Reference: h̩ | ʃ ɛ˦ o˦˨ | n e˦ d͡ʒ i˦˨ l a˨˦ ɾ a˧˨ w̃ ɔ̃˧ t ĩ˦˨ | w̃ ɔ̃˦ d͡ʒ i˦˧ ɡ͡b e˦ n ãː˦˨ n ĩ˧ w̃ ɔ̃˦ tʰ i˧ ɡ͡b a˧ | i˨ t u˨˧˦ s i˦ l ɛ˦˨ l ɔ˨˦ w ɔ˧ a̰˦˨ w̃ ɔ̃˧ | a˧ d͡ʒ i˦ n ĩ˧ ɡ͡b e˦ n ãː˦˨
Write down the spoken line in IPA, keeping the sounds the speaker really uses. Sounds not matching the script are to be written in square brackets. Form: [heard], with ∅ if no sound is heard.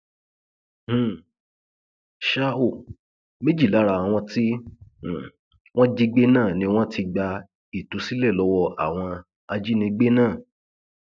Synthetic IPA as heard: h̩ | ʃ [a˦] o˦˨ | [m] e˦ d͡ʒ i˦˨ l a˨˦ ɾ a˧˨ w̃ ɔ̃˧ t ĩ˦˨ | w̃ ɔ̃˦ d͡ʒ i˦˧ ɡ͡b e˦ n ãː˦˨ n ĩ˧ w̃ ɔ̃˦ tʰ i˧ ɡ͡b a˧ | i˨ t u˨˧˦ s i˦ l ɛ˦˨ l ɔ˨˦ w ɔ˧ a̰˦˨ w̃ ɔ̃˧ | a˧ d͡ʒ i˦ n ĩ˧ ɡ͡b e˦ n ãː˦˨